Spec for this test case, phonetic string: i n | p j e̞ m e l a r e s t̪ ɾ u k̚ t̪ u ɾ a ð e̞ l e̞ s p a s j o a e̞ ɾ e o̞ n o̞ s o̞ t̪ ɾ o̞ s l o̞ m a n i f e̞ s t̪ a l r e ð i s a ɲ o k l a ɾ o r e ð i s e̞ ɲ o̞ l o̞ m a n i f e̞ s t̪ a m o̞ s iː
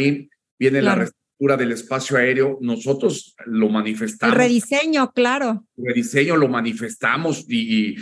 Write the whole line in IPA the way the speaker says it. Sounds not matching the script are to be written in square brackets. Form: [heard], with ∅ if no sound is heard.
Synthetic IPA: i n | [b] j e̞ [n] e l a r e s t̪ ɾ u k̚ t̪ u ɾ a ð e̞ l e̞ s p a s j o a e̞ ɾ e o̞ n o̞ s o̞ t̪ ɾ o̞ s l o̞ m a n i f e̞ s t̪ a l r e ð i s [e] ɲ o k l a ɾ o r e ð i s e̞ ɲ o̞ l o̞ m a n i f e̞ s t̪ a m o̞ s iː